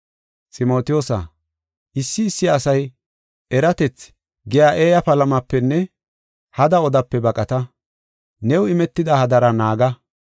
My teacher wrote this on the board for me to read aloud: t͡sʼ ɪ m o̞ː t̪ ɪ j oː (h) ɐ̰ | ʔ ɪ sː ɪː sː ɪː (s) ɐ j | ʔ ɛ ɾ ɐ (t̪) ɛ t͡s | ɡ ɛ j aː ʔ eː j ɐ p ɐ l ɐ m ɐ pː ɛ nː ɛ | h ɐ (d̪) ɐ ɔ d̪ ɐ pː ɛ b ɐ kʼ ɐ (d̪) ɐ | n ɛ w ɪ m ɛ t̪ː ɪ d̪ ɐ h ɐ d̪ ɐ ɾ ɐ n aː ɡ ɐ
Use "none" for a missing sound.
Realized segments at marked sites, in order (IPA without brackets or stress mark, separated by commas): s, s, t̪, d̪, t̪